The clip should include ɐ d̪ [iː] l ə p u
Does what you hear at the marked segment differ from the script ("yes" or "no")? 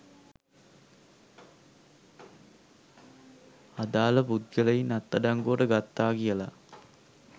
yes